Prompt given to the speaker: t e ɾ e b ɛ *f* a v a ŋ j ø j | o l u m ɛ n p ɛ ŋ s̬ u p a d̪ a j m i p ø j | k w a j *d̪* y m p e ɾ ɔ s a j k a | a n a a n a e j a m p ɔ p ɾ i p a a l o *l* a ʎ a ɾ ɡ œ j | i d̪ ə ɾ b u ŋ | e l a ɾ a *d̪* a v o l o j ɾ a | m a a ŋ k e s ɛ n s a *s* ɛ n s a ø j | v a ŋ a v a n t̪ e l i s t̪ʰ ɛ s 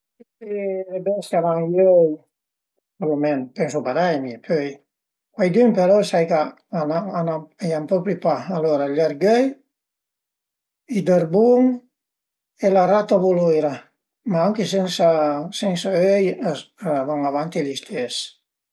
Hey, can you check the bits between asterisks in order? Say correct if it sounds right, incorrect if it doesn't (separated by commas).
incorrect, correct, incorrect, incorrect, correct